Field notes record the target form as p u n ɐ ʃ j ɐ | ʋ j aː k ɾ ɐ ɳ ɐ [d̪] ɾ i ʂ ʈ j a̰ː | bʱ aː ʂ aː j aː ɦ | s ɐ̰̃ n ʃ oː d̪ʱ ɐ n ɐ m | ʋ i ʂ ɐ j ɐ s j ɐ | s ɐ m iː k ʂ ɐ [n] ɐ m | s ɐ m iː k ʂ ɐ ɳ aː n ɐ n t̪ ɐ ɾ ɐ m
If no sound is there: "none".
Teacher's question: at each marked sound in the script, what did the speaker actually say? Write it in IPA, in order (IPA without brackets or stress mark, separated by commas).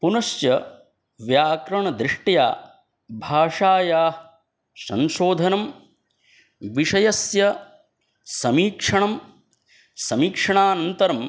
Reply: d̪, ɳ